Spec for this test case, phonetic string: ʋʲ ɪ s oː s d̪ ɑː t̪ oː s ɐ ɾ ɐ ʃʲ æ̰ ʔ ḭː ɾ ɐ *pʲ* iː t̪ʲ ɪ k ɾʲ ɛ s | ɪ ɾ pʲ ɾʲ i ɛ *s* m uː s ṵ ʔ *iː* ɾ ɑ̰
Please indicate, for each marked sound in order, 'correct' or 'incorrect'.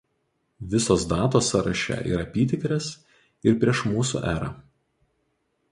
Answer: correct, incorrect: ʃ, incorrect: æː

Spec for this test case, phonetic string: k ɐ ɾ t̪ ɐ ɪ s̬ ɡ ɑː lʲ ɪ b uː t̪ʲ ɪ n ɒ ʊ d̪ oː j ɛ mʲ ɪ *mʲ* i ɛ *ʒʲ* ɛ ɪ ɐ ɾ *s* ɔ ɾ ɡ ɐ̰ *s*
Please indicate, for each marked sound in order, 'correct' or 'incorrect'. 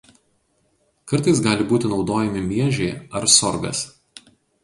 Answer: correct, correct, correct, correct

